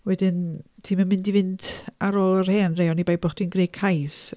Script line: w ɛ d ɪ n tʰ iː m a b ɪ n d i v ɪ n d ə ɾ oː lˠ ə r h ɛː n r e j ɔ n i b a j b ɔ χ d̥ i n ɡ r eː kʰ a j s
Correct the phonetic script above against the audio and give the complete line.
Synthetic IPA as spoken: w ɛ d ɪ n tʰ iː m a m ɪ n d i v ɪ n d a ɾ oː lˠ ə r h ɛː n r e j ɔ n i b a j b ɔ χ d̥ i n ɡ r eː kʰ a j s